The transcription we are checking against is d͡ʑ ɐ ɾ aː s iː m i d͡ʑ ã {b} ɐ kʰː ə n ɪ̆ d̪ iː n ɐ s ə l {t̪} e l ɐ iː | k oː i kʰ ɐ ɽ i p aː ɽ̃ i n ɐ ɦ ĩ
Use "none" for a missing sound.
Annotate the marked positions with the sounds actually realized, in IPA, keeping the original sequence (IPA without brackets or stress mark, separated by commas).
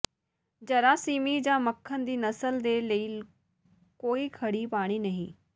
m, d̪